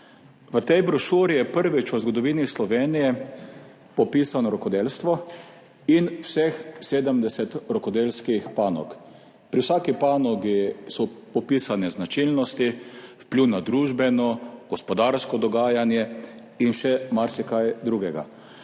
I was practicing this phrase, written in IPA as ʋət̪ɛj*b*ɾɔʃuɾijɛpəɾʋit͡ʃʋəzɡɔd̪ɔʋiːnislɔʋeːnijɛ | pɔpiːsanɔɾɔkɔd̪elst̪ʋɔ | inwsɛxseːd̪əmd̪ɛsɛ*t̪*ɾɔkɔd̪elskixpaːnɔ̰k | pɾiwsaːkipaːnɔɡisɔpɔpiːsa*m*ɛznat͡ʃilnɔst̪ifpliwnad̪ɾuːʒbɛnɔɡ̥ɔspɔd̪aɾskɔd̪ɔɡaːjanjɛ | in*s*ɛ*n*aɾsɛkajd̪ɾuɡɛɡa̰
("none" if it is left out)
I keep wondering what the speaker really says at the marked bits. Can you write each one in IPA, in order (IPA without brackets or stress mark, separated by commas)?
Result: b, t̪, n, ʃ, m